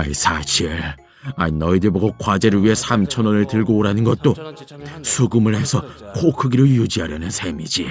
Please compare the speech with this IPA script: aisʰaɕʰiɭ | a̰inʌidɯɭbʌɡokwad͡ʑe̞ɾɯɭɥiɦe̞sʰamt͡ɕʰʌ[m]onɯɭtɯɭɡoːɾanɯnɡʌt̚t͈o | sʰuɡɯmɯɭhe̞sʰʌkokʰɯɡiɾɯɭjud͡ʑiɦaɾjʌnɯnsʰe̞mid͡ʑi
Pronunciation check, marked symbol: incorrect: n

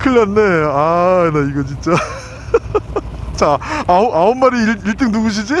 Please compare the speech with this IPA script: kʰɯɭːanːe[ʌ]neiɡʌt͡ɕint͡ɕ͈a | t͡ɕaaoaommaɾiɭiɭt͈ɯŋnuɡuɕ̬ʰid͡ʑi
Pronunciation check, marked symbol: incorrect: a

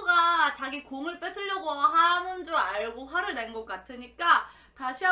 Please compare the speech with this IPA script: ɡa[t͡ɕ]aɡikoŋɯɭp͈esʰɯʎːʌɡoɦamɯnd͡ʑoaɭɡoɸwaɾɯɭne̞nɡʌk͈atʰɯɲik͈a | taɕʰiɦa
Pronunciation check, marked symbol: correct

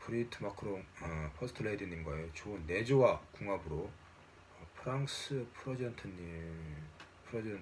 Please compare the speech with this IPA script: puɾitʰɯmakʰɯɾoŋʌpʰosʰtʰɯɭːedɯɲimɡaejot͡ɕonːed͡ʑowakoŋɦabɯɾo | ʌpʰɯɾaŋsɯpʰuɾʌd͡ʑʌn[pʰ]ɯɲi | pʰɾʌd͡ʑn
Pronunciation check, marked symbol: incorrect: tʰ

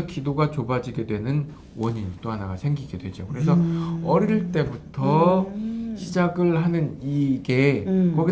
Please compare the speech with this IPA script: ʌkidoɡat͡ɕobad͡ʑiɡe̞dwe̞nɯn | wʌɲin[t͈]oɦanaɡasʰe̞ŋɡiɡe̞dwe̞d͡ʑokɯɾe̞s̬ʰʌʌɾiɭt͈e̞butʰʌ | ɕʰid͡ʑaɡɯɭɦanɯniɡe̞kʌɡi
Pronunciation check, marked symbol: correct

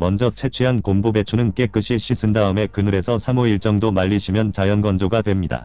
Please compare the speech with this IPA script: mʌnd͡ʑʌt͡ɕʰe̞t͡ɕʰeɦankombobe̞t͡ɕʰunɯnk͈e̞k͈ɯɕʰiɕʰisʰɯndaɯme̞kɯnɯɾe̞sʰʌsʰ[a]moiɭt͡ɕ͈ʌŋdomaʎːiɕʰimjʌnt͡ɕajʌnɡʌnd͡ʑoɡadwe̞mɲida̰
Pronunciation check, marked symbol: correct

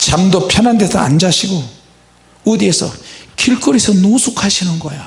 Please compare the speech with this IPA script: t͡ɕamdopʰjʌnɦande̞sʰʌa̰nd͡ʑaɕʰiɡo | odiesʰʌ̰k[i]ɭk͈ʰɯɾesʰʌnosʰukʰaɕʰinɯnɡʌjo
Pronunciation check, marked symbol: correct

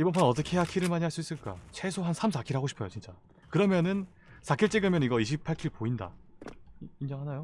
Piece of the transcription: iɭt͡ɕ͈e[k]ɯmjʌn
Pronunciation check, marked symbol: incorrect: ɡ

